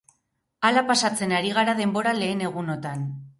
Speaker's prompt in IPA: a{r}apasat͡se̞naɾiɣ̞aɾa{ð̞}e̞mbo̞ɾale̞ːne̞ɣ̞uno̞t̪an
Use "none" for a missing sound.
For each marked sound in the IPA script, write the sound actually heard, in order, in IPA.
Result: l, ð̞

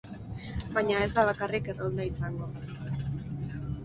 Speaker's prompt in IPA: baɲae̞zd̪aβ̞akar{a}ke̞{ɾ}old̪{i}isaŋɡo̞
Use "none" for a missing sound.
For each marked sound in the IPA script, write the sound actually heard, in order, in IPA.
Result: i, r, a

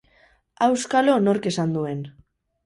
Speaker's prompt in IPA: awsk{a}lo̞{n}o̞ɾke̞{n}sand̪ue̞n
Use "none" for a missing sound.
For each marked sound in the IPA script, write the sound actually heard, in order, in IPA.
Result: a, n, none

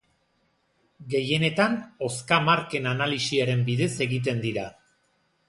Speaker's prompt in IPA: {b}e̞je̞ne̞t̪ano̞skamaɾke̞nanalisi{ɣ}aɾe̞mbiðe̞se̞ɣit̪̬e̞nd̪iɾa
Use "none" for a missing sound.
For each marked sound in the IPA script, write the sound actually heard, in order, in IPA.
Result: ɡ, none

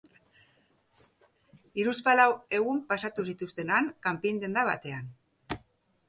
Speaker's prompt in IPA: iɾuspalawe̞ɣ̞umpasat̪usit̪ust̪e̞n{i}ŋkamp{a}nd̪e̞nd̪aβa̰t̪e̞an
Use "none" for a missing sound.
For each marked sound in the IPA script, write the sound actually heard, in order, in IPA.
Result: a, i

